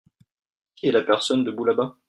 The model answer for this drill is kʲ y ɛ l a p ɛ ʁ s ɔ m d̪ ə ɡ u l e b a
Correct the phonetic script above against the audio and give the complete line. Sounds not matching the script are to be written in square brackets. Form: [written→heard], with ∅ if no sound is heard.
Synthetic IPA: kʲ [y→i] ɛ l a p ɛ ʁ s ɔ [m→n] d̪ ə [ɡ→b] u l [e→a] b a